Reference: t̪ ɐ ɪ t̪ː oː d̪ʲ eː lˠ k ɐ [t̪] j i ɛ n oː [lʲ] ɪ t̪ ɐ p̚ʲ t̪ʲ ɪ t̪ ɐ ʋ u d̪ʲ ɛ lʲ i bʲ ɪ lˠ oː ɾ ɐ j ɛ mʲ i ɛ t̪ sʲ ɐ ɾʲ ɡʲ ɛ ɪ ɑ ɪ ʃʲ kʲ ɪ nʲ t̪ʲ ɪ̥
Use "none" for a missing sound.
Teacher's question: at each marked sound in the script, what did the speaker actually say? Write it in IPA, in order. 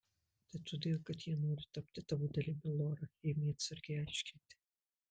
t̪, ɾʲ

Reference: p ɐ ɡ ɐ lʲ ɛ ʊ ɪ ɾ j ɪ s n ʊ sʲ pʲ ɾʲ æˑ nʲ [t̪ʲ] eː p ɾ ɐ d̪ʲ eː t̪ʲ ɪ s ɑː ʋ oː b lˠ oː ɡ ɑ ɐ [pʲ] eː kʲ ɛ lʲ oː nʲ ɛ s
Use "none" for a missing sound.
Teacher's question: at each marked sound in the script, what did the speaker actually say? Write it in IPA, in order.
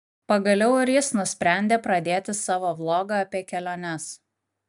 d̪ʲ, pʲ

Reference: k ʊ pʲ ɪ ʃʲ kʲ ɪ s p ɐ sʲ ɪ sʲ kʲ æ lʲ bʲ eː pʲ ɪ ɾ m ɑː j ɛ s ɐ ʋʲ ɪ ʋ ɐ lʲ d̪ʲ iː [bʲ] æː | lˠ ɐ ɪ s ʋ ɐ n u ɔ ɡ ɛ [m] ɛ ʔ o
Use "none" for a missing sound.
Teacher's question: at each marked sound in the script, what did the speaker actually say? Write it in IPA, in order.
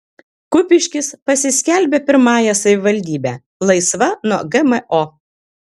bʲ, m

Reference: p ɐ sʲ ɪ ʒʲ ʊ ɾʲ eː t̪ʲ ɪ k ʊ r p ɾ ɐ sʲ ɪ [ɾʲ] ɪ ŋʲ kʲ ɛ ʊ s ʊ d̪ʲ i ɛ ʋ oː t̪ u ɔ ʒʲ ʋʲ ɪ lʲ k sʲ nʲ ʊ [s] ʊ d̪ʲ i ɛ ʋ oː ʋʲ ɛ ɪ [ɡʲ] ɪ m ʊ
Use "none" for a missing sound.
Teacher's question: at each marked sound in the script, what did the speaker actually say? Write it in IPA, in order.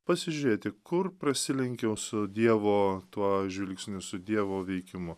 lʲ, s, kʲ

